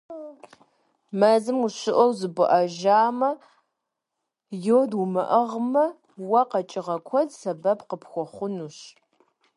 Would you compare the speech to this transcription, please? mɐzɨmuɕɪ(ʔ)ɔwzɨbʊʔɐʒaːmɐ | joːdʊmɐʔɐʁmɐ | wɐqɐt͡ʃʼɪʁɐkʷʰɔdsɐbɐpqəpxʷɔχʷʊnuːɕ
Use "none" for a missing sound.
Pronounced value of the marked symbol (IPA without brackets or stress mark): ʔ